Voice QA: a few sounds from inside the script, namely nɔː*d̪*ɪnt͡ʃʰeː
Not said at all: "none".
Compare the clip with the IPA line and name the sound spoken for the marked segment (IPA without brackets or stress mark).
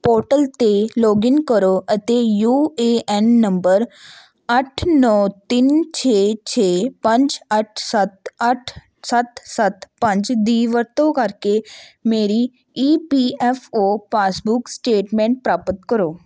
t̪